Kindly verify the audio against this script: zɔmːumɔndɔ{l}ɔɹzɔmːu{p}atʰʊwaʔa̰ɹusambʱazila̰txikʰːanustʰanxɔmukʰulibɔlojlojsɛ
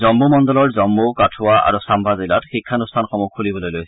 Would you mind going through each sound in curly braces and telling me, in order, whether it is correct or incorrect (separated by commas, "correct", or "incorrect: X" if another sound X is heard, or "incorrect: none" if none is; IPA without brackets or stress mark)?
correct, incorrect: k